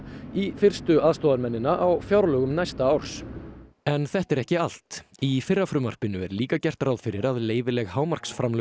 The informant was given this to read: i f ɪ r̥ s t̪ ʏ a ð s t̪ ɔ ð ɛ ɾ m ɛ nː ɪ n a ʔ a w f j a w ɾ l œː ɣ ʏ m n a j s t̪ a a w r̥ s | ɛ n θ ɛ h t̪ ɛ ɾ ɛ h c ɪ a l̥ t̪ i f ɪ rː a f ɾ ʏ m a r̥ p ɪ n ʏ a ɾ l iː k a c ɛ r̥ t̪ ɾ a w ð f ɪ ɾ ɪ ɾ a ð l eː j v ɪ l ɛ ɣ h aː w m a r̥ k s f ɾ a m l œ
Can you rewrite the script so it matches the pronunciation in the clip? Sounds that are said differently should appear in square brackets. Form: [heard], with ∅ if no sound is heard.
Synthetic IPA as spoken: i f ɪ r̥ s t̪ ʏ a ð s t̪ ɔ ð [a] ɾ m ɛ nː ɪ n a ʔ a w f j a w ɾ l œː ɣ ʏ m n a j s t̪ a a w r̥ s | ɛ n θ ɛ h t̪ ɛ ɾ ɛ h c ɪ a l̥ t̪ i f ɪ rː a f ɾ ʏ m a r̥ p ɪ n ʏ [ɛ] ɾ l iː k a c ɛ r̥ t̪ ɾ a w ð f ɪ ɾ ɪ ɾ a ð l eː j v ɪ l ɛ ɣ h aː w m a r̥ k s f ɾ a m l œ